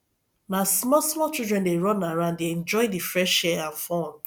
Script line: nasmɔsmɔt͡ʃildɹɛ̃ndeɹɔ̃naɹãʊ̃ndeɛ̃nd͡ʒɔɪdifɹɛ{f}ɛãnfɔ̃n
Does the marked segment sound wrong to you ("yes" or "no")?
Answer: yes